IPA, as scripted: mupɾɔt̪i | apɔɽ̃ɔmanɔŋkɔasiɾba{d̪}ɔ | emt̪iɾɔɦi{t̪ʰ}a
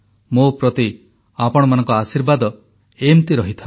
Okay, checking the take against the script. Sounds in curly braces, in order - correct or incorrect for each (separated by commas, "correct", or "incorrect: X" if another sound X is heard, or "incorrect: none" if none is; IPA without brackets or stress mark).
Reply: correct, correct